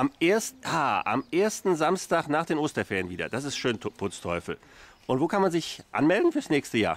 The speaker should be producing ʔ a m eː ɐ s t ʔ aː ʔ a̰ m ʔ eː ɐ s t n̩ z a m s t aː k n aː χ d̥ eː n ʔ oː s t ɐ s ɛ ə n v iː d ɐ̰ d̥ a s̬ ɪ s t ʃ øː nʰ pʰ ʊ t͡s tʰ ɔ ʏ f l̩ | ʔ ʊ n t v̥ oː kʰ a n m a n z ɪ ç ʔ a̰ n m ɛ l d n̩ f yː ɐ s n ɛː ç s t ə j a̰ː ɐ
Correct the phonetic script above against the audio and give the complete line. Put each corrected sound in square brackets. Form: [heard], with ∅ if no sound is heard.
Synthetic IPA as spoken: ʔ a m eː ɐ s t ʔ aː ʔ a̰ m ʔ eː ɐ s t n̩ z a m s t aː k n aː χ d̥ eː n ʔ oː s t ɐ [f] ɛ ə n v iː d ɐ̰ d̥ a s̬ ɪ s t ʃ øː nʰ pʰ ʊ t͡s tʰ ɔ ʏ f l̩ | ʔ ʊ n t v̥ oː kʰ a n m a n z ɪ ç ʔ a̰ n m ɛ l d n̩ f yː ɐ s n ɛː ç s t ə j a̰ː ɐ